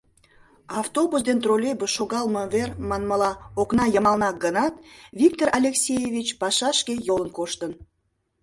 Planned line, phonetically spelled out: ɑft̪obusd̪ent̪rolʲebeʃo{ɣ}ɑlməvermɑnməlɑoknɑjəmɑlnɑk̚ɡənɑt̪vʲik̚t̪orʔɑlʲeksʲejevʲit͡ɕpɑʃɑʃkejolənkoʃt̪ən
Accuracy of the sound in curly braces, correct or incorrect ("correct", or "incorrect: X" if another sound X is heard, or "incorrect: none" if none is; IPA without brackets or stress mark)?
correct